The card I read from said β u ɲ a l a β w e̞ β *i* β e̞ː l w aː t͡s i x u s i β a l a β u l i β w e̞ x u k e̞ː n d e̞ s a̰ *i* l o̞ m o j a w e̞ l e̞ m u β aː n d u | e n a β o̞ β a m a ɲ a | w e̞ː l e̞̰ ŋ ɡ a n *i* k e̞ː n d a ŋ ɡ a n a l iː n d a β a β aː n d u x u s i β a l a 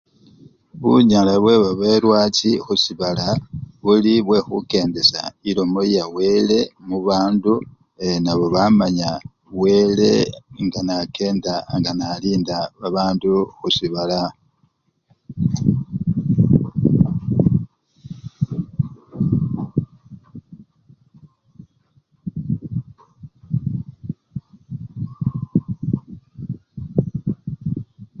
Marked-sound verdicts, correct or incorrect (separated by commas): incorrect, correct, incorrect